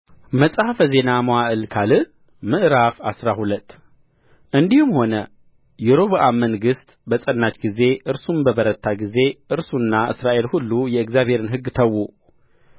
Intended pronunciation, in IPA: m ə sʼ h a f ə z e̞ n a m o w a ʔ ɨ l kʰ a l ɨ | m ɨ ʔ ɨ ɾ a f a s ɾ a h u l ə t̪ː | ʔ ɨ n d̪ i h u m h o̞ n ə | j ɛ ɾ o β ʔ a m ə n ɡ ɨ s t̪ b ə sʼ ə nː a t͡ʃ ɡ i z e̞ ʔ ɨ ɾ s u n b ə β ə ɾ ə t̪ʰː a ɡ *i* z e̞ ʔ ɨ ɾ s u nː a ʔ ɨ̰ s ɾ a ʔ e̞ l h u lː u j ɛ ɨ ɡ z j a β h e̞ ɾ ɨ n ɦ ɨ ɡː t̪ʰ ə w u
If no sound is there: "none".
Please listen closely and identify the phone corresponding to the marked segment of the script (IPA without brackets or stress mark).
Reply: i